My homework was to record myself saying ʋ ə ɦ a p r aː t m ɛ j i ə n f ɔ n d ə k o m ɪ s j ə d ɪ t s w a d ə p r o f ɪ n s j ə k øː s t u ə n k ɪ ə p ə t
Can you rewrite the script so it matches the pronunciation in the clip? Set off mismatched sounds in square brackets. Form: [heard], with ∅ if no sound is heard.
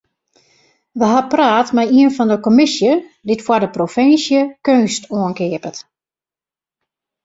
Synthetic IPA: ʋ ə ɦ a p r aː t m ɛ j i ə n f ɔ n d ə k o m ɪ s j ə d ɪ t [f] w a d ə p r o f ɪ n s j ə k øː s t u ə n k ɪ ə p ə t